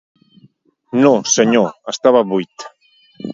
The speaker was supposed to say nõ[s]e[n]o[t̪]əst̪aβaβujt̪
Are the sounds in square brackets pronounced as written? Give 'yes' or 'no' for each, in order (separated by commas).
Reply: yes, no, no